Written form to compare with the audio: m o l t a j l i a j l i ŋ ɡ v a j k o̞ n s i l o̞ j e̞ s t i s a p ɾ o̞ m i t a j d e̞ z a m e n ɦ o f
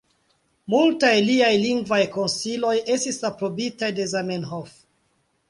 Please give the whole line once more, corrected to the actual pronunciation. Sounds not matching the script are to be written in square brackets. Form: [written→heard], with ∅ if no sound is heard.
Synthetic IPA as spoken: m [o→u] l t a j l i a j l i ŋ ɡ v a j k o̞ n s i l o̞ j e̞ s t i s a p ɾ o̞ [m→b] i t a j d e̞ z a m e n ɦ o f